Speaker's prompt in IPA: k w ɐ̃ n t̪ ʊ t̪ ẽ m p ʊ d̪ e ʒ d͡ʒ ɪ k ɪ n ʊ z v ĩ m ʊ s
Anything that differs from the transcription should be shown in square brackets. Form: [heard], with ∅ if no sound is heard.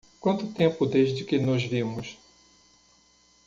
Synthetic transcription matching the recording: k w ɐ̃ n t̪ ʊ t̪ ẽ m p ʊ d̪ e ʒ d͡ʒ ɪ k ɪ n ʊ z v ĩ m ʊ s